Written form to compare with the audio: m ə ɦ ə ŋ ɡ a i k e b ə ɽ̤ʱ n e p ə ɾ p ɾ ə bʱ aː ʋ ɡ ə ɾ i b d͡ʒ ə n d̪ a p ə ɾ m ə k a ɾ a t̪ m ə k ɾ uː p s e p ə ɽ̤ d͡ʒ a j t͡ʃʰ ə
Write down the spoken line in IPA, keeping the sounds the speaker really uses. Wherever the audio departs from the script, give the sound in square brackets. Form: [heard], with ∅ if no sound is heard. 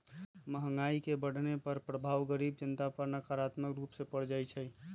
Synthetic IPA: m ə ɦ ə ŋ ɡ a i k e b ə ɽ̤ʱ n e p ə ɾ p ɾ ə bʱ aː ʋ ɡ ə ɾ i b d͡ʒ ə n [t̪] a p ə ɾ [n] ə k a ɾ a t̪ m ə k ɾ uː p s e p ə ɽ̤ d͡ʒ a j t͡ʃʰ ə